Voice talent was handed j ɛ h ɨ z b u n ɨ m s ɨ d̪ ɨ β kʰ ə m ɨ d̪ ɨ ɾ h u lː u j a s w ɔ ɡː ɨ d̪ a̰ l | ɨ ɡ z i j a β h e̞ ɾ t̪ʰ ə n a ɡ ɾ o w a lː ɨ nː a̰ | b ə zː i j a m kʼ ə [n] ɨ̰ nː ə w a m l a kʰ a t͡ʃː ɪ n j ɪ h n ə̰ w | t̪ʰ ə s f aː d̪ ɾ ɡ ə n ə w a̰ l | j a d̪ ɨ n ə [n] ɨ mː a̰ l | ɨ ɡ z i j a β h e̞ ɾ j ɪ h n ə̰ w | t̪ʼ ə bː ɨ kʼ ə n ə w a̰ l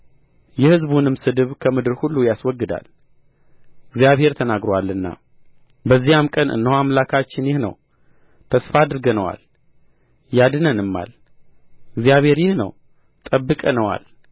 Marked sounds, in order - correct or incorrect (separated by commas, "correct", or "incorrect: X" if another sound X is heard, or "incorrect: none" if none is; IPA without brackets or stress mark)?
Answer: correct, correct